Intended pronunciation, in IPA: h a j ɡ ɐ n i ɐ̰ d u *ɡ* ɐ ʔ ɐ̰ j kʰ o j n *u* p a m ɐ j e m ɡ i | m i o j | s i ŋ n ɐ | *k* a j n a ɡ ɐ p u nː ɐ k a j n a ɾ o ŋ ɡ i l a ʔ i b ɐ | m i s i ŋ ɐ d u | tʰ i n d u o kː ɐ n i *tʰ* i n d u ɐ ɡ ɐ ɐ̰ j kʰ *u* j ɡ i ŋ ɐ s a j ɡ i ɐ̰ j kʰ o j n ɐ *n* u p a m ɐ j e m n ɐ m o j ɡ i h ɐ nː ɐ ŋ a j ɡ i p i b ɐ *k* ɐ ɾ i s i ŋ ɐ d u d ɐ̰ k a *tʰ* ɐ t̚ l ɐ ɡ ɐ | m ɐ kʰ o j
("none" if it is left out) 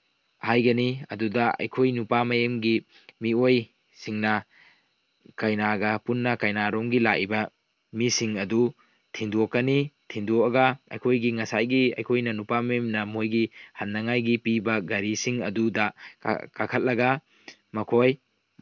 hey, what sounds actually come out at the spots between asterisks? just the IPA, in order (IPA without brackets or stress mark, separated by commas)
d, u, k, tʰ, o, n, ɡ, kʰ